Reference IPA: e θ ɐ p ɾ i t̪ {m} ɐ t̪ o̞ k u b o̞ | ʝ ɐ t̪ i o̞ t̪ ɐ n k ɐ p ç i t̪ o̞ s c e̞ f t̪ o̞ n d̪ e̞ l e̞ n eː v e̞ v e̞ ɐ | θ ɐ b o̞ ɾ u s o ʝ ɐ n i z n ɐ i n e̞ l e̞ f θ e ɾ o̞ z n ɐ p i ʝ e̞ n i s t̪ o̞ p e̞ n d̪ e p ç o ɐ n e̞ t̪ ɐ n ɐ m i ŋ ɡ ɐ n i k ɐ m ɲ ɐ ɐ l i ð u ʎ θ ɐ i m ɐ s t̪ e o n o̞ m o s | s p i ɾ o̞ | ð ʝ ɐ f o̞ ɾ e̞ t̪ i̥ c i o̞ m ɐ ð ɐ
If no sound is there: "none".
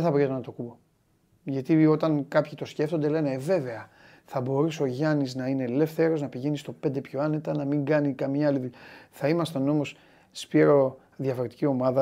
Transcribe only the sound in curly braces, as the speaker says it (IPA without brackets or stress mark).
n